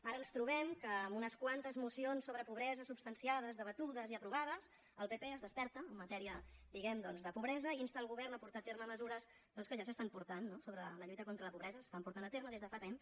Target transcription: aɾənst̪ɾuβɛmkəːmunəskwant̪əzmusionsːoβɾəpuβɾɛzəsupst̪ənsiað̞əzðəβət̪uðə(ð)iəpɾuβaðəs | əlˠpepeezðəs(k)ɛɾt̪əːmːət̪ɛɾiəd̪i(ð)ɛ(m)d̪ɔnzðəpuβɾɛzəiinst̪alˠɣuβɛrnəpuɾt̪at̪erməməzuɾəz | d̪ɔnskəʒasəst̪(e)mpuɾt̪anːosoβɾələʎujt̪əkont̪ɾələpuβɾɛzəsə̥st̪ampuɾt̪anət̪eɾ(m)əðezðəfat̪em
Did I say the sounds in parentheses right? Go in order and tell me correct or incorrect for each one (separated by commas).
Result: incorrect, incorrect, incorrect, correct, incorrect, correct